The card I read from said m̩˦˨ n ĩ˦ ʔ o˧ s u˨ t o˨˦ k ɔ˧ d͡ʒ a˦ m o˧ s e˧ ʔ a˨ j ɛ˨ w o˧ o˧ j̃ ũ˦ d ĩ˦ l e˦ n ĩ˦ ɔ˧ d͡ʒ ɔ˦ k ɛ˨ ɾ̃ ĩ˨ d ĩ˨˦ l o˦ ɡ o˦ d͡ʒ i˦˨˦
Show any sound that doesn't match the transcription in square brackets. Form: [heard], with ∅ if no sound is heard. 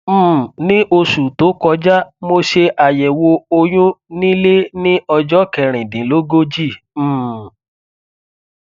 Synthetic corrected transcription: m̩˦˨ n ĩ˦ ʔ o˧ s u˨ t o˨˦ k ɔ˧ d͡ʒ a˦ m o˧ [ʃ] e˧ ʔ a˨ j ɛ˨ w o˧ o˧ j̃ ũ˦ [n] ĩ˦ l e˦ n ĩ˦ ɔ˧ d͡ʒ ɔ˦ k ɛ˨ ɾ̃ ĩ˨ d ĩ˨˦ l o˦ ɡ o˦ d͡ʒ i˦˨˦